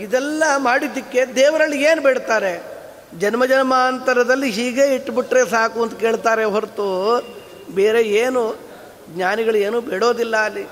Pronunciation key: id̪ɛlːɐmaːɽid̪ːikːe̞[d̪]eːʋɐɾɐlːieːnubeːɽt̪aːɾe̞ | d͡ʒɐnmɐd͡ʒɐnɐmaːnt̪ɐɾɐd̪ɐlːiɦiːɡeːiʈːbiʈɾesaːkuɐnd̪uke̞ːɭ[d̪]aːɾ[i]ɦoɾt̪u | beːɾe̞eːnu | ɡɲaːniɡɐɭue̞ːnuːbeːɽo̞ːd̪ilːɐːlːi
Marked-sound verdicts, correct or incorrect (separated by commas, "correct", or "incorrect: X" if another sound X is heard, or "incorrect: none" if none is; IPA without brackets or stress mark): correct, incorrect: t̪, incorrect: e